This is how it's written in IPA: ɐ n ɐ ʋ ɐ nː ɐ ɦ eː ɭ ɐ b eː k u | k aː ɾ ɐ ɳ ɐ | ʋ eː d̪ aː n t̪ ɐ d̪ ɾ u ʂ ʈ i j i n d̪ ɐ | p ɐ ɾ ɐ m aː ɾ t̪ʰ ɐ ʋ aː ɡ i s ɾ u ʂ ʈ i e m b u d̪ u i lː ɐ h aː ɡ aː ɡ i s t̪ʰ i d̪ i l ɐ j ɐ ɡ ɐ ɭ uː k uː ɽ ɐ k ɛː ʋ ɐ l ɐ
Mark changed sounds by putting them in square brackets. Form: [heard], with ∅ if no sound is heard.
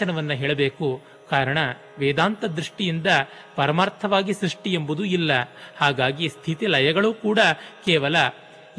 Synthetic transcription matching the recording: ɐ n ɐ ʋ ɐ nː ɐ ɦ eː ɭ ɐ b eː k u | k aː ɾ ɐ ɳ ɐ | ʋ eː d̪ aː n t̪ ɐ d̪ ɾ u ʂ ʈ i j i n d̪ ɐ | p ɐ ɾ ɐ m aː ɾ t̪ʰ ɐ ʋ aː ɡ i s ɾ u ʂ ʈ i e m b u d̪ u i lː ɐ h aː ɡ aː ɡ i s t̪ʰ i [t̪] i l ɐ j ɐ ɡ ɐ ɭ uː k uː ɽ ɐ k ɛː ʋ ɐ l ɐ